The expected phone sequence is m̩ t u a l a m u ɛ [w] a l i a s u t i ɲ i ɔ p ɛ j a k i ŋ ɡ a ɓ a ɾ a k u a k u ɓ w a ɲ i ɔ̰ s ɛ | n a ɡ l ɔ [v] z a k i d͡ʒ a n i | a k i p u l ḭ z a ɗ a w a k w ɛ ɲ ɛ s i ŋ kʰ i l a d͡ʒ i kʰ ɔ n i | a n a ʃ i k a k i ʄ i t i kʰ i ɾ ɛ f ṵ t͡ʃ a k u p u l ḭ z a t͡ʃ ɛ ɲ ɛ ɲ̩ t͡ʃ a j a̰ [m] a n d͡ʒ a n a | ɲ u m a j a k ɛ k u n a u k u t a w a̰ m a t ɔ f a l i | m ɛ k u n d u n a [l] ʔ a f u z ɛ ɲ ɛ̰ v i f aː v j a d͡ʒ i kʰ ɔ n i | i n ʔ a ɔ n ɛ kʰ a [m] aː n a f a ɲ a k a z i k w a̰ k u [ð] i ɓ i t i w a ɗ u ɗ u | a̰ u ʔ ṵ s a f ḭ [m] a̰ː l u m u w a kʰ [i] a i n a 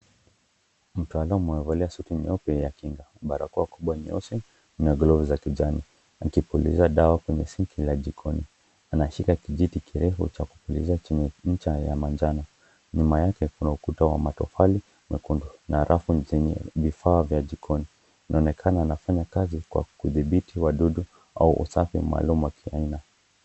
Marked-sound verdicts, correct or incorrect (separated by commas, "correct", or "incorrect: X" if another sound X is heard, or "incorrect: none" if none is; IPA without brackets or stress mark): incorrect: v, correct, correct, incorrect: ɾ, incorrect: n, correct, correct, correct